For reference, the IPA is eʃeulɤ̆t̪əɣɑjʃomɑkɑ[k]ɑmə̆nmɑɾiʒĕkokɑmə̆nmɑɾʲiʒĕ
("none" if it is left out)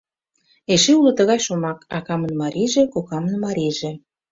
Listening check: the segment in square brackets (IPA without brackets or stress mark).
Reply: k